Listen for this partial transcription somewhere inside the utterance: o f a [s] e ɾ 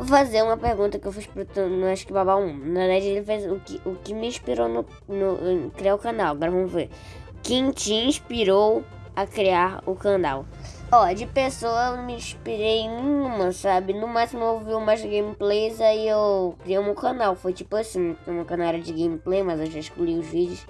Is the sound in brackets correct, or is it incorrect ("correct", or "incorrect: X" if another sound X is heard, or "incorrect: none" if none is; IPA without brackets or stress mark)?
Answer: incorrect: z